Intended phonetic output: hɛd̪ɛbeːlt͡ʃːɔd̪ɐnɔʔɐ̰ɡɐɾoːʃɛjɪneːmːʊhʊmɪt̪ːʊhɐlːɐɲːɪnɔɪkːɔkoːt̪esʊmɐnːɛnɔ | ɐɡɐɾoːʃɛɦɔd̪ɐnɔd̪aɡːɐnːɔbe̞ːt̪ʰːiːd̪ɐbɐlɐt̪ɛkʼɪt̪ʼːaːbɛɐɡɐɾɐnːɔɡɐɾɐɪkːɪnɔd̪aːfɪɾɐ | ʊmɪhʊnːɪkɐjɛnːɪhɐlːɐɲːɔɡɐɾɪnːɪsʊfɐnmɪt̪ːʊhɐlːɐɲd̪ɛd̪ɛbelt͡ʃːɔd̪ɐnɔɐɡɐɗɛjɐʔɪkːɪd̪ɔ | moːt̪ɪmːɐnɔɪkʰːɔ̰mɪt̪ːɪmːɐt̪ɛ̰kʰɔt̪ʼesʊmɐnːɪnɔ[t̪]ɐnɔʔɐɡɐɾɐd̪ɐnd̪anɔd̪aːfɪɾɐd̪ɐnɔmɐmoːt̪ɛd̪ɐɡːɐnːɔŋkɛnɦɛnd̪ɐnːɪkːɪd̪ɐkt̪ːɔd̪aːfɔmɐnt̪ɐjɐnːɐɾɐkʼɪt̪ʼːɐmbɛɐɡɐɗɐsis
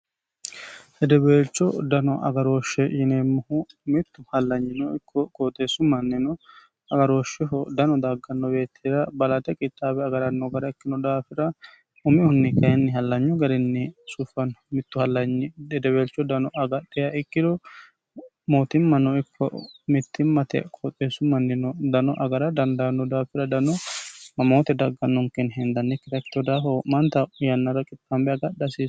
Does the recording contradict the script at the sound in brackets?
yes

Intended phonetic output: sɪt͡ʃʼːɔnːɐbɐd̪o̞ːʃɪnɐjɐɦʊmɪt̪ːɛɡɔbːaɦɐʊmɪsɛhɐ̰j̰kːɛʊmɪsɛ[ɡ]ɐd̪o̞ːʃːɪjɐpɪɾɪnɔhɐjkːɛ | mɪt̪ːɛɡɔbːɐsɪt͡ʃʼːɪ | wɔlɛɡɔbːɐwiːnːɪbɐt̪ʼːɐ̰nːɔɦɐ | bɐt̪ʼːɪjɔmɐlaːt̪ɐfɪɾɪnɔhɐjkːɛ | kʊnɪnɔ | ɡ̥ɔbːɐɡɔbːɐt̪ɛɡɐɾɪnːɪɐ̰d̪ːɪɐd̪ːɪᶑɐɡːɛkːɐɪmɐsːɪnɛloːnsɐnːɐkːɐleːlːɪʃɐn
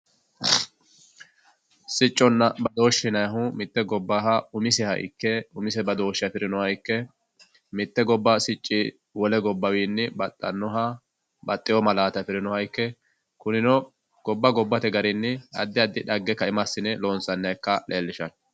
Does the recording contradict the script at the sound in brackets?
yes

